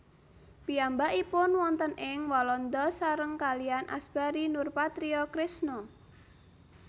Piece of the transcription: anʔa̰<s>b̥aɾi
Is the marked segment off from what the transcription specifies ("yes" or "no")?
no